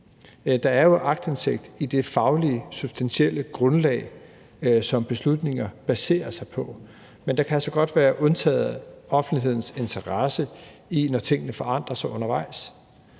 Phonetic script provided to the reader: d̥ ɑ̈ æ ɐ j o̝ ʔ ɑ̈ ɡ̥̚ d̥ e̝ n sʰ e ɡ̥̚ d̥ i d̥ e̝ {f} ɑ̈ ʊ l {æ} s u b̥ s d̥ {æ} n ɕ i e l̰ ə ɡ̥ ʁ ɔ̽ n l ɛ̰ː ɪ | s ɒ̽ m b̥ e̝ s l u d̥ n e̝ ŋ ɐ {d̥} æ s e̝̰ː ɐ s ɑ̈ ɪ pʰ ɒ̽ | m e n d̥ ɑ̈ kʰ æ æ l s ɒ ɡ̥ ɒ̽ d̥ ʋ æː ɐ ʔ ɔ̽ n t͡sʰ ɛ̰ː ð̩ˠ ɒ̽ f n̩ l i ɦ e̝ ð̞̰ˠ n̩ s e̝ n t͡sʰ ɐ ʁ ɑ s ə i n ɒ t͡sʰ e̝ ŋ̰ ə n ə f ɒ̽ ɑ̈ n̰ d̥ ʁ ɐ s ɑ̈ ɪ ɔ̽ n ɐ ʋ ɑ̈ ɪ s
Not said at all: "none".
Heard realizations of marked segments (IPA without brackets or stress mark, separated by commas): f, i, æ, b̥